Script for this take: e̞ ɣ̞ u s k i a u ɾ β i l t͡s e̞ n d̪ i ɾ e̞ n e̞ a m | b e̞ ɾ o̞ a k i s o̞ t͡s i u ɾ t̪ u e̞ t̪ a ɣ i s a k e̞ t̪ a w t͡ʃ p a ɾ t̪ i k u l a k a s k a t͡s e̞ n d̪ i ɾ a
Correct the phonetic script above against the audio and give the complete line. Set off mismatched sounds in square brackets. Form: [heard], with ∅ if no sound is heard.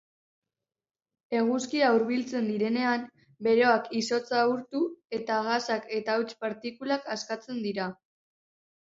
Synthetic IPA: e̞ ɣ̞ u s k i a u ɾ β i l t͡s e̞ n d̪ i ɾ e̞ n e̞ a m | b e̞ ɾ o̞ a k i s o̞ t͡s [a] u ɾ t̪ u e̞ t̪ a ɣ [a] s a k e̞ t̪ a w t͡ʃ p a ɾ t̪ i k u l a k a s k a t͡s e̞ n d̪ i ɾ a